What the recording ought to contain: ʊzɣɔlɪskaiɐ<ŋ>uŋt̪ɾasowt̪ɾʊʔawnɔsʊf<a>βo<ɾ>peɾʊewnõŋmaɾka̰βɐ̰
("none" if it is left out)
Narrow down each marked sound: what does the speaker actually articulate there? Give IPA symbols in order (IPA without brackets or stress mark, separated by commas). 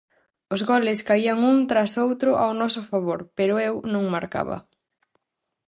ŋ, a, ɾ